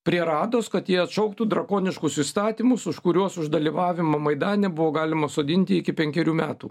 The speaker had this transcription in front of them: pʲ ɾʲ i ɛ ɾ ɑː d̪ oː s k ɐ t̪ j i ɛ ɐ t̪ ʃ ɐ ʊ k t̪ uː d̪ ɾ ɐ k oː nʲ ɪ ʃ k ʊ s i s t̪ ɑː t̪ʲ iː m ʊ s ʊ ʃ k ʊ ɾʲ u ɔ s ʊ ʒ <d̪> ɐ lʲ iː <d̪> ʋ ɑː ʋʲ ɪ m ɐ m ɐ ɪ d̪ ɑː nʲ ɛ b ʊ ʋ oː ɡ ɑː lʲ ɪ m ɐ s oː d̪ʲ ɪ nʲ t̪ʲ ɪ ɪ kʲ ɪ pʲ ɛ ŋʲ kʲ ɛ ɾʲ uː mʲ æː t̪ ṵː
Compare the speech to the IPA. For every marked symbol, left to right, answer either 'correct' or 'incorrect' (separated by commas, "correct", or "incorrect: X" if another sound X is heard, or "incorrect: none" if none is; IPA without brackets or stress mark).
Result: correct, incorrect: none